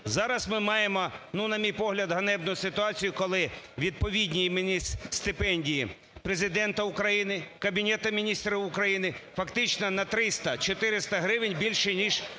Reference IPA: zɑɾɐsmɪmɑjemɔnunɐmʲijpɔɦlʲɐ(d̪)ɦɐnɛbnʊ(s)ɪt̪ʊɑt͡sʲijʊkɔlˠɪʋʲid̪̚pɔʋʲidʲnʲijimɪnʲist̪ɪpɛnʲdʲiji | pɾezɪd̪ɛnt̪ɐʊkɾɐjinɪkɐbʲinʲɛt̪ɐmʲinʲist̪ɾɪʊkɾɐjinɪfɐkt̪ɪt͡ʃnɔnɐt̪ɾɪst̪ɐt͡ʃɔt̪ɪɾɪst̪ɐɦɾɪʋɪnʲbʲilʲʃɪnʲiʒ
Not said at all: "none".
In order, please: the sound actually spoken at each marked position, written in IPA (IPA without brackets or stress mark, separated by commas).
d̪, s